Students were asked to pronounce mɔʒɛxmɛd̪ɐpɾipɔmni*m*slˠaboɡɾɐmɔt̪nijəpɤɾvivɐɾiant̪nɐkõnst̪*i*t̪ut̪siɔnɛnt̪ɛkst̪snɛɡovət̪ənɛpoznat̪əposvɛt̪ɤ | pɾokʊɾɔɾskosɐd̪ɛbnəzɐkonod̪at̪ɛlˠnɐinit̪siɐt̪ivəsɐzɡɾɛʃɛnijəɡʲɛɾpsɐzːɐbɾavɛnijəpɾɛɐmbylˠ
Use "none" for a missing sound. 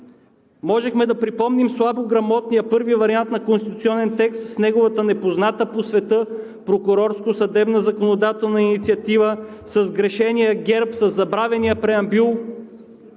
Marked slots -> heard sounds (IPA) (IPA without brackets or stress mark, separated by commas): m, i